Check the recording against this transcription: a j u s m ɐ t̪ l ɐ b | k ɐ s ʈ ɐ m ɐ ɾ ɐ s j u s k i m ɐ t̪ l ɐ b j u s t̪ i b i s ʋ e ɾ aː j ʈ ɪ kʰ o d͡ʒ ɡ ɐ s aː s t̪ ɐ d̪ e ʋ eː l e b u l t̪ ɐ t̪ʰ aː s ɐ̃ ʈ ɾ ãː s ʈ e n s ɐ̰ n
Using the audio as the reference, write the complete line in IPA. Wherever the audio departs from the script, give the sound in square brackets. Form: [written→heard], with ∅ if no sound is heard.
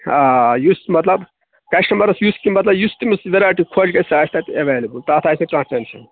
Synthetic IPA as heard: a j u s m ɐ t̪ l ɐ b | k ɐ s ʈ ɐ m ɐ ɾ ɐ s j u s k i m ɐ t̪ l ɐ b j u s t̪ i [b→m] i s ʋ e ɾ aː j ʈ [ɪ→i] kʰ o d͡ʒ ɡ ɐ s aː s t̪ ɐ [d̪→t̪] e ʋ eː l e b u l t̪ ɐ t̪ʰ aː s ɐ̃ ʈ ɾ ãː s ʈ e n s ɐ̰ n